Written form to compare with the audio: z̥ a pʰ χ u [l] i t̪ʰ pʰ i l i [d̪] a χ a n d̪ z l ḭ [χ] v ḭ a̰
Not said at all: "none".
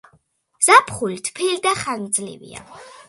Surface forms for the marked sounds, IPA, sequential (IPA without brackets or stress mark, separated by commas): l, d̪, none